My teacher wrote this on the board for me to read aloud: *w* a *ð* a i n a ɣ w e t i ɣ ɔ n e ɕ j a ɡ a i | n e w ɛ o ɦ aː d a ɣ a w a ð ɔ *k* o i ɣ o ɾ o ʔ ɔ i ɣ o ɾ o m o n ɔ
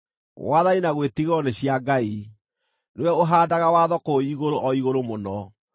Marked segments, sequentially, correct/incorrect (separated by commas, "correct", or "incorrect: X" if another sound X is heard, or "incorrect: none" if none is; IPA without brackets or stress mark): correct, correct, correct